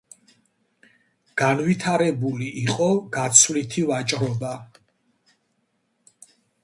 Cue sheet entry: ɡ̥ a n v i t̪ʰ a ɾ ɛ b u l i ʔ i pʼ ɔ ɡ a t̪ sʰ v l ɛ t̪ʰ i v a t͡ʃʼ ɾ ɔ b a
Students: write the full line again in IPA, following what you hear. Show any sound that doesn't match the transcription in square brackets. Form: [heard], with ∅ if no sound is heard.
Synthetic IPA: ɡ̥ a n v i t̪ʰ a ɾ ɛ b u l i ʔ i [qʼ] ɔ ɡ a t̪ sʰ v l [i] t̪ʰ i v a t͡ʃʼ ɾ ɔ b a

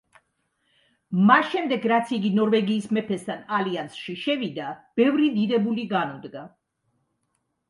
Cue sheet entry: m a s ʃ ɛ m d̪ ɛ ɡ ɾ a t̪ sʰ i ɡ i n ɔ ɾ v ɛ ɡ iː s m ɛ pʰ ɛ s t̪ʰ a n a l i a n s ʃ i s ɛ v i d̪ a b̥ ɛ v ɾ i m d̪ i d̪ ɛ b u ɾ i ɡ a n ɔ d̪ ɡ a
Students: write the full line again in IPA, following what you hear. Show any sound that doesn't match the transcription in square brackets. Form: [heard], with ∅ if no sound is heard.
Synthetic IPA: m a s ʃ ɛ m d̪ ɛ ɡ ɾ a t̪ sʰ i ɡ i n ɔ ɾ v ɛ ɡ iː s m ɛ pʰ ɛ s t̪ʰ a n a l i a n s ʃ i [ʃ] ɛ v i d̪ a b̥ ɛ v ɾ i [∅] d̪ i d̪ ɛ b u [l] i ɡ a n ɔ d̪ ɡ a

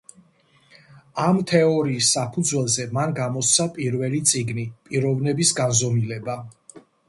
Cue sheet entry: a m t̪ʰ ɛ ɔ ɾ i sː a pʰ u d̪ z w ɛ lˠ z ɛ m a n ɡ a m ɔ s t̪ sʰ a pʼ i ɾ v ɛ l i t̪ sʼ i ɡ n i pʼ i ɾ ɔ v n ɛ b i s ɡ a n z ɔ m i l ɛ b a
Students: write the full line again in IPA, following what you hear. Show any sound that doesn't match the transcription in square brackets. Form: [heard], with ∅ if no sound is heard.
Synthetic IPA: a m t̪ʰ ɛ ɔ ɾ [iː] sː a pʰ u d̪ z w ɛ lˠ z ɛ m a n ɡ a m ɔ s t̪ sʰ a pʼ i ɾ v ɛ l i t̪ sʼ i ɡ n i pʼ i ɾ ɔ v n ɛ b i s ɡ a n z ɔ m i l ɛ b a

